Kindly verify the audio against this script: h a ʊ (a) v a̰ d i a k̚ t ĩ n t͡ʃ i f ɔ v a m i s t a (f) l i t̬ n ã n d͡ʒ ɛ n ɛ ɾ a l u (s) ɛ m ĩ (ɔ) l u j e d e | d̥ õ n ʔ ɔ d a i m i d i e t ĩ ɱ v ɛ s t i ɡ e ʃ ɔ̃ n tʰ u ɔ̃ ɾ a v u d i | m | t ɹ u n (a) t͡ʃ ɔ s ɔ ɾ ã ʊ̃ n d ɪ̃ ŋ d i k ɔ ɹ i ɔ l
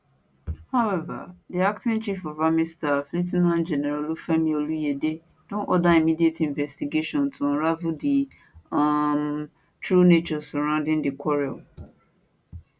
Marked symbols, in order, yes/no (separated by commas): no, yes, no, no, no